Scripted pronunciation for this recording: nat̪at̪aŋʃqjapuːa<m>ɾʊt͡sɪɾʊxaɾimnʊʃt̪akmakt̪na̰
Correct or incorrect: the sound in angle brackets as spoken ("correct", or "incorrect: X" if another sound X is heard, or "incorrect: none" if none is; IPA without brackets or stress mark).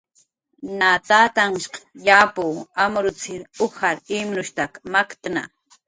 correct